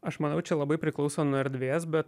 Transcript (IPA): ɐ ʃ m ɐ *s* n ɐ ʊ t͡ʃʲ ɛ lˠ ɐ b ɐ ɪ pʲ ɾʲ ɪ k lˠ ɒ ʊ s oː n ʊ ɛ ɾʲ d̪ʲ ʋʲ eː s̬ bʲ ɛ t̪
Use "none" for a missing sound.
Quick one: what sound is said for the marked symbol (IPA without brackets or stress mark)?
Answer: none